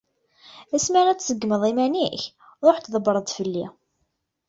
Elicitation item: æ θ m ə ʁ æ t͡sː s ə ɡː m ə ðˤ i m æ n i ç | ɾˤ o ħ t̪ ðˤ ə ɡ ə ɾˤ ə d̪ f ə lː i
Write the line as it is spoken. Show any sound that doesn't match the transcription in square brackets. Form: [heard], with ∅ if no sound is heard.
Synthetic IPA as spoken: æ [s] m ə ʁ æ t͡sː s ə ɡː m ə ðˤ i m æ n i ç | ɾˤ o ħ t̪ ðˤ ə [b] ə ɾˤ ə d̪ f ə lː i